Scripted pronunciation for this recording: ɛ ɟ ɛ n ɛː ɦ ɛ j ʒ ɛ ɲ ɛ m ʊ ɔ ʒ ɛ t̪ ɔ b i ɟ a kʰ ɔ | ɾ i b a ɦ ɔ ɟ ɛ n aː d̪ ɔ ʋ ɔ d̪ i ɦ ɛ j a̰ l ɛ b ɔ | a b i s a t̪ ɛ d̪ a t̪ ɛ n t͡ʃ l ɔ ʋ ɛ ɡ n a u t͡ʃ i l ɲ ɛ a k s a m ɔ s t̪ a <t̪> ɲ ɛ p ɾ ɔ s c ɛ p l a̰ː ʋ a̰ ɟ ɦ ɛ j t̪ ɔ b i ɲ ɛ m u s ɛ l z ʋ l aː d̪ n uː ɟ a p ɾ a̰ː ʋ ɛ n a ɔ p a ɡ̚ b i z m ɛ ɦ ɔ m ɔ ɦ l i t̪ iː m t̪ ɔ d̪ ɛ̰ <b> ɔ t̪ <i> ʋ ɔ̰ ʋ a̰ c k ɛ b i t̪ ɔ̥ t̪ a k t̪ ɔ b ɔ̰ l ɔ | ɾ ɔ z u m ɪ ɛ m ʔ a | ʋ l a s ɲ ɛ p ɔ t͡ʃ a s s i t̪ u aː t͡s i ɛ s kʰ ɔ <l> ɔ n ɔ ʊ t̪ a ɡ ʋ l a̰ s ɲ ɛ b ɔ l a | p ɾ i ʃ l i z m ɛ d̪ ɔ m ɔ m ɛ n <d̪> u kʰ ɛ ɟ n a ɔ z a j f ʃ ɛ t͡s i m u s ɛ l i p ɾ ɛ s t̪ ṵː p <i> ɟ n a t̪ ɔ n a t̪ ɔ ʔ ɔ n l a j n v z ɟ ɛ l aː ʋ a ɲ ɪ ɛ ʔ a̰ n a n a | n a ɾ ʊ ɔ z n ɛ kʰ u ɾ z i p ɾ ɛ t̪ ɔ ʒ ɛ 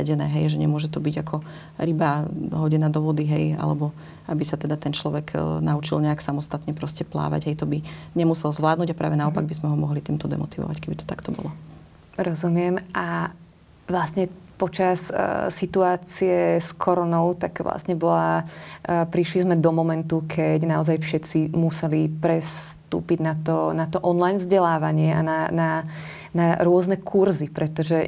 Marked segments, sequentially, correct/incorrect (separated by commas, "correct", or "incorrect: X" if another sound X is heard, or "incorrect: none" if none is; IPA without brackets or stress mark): correct, incorrect: m, correct, incorrect: ɾ, incorrect: t̪, correct